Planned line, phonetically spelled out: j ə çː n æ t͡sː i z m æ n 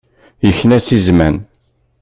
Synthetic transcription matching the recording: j ə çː n æ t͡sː i z m æ n

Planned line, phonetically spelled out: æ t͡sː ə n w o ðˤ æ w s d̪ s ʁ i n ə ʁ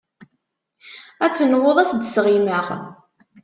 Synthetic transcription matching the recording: æ t͡sː ə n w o ðˤ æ s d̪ s ʁ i m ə ʁ

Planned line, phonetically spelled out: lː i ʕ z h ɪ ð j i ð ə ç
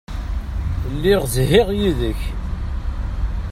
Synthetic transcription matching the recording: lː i ʁ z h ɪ ʁ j i ð ə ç

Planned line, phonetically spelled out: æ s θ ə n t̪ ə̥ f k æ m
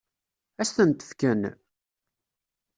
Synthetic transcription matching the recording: æ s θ ə n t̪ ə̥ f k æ n

